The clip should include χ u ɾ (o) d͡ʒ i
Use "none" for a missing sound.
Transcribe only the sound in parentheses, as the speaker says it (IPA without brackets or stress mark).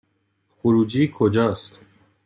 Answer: u